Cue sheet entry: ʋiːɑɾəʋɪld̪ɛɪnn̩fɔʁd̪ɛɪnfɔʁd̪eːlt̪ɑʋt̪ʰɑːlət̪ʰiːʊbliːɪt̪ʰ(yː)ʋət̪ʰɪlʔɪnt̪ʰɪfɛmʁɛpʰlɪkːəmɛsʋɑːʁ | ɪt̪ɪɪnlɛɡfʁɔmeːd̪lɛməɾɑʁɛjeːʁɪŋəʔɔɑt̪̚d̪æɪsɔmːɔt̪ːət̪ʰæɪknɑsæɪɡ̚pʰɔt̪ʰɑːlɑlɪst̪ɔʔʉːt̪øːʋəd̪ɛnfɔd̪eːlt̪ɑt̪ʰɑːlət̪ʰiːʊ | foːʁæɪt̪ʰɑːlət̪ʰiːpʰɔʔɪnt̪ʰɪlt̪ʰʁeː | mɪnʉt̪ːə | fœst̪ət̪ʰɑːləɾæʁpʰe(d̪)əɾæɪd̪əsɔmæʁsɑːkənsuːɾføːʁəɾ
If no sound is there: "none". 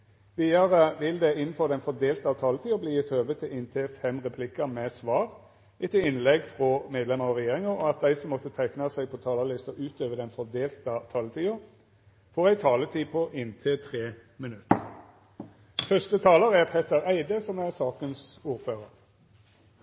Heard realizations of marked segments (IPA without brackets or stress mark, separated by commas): øː, t̪